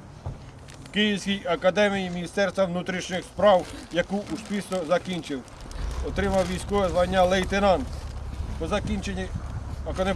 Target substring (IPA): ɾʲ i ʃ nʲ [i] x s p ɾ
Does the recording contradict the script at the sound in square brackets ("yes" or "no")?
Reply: yes